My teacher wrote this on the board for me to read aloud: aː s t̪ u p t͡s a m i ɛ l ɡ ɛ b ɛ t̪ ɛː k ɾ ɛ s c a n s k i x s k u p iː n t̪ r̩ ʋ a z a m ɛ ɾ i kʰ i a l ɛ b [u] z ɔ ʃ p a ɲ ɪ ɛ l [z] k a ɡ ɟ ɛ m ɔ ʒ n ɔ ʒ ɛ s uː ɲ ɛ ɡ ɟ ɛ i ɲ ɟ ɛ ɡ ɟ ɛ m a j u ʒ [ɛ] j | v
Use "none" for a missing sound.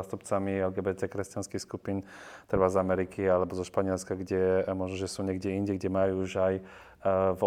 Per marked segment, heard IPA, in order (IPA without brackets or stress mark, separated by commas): ɔ, s, a